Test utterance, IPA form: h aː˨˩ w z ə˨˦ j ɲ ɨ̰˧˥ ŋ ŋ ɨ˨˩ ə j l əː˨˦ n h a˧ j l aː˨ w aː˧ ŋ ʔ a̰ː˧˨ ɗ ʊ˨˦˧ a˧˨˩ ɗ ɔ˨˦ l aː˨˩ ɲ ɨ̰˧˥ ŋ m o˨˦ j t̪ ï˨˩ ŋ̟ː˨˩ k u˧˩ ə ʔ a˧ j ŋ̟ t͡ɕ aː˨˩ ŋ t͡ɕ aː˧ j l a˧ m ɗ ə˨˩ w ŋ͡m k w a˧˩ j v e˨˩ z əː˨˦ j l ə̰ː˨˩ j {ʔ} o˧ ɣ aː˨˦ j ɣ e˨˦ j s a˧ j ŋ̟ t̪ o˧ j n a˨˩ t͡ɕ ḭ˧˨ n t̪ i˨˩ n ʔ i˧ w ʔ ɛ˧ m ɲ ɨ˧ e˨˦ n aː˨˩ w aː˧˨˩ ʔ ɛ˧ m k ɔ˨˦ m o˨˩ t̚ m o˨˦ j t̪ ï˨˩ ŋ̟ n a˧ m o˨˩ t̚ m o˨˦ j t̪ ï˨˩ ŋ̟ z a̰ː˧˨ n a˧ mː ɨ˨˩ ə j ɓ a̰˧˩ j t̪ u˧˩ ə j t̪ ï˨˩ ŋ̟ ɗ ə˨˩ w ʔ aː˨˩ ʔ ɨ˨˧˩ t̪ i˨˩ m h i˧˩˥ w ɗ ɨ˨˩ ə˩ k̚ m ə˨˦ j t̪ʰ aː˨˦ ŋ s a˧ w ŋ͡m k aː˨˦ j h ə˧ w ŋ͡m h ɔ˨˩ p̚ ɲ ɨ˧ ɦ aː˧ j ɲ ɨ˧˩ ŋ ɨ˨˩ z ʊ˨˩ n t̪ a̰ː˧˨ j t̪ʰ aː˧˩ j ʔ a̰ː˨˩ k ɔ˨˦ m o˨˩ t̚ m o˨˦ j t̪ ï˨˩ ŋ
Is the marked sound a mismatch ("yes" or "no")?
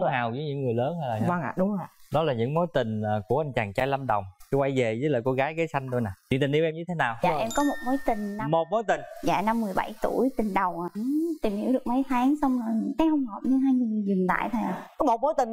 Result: yes